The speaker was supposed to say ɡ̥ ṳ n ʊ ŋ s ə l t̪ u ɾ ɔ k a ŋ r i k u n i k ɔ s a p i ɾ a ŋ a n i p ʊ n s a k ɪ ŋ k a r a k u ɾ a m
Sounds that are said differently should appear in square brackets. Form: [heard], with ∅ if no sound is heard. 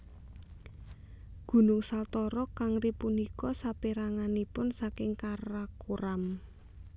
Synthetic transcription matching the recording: ɡ̥ ṳ n ʊ ŋ s [a] l t̪ [ɔ] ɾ ɔ k a ŋ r i [p] u n i k ɔ s a p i ɾ a ŋ a n i p ʊ n s a k ɪ ŋ k a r a k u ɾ a m